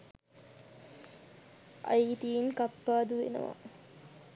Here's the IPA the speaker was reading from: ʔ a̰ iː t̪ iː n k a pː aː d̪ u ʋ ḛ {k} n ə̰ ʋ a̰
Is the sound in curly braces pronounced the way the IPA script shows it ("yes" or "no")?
no